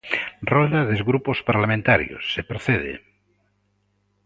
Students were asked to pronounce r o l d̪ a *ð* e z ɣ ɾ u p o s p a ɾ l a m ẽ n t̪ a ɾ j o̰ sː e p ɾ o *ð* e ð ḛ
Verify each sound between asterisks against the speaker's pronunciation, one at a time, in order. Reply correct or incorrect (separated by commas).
correct, incorrect